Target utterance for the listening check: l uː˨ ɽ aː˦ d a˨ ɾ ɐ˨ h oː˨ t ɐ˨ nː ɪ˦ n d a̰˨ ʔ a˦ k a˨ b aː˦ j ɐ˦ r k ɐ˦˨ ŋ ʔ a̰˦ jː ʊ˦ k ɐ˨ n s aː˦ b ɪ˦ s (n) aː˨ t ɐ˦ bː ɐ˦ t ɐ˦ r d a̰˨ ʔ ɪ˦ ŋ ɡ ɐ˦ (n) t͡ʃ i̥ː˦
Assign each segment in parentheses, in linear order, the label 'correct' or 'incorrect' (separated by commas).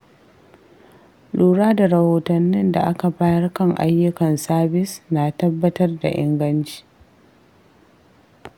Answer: correct, correct